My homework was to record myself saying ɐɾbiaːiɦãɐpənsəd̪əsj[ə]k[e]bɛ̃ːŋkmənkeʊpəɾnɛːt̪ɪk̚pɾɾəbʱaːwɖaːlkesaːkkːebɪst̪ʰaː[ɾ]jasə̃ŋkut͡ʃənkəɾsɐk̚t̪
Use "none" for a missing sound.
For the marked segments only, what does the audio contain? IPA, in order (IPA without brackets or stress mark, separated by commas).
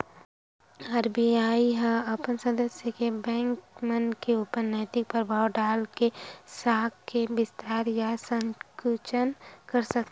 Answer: ə, e, ɾ